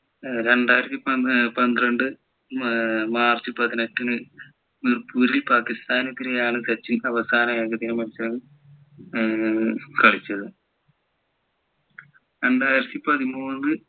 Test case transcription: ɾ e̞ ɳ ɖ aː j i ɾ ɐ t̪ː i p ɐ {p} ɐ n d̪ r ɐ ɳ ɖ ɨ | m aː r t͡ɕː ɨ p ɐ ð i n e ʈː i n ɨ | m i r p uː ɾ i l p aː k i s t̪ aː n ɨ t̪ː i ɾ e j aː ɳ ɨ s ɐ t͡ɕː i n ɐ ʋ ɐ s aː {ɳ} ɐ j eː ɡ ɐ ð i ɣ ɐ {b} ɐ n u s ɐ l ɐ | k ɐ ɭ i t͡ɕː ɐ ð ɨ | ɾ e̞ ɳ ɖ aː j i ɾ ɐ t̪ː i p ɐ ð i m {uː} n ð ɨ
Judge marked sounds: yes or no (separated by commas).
yes, no, no, yes